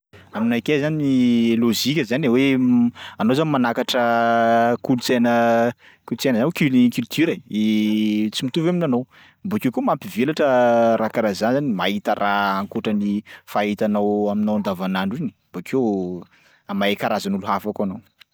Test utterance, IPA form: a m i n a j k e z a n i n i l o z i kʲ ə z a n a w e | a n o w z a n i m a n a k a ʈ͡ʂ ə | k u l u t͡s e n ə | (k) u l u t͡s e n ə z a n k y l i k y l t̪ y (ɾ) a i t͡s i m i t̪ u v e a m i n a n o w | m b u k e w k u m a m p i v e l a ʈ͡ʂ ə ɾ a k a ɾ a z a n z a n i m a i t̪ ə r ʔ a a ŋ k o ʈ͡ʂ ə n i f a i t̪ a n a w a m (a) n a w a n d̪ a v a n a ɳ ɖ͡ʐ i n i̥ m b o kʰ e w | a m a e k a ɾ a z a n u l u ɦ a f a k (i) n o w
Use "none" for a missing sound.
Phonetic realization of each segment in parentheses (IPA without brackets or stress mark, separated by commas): k, ɾ, i, a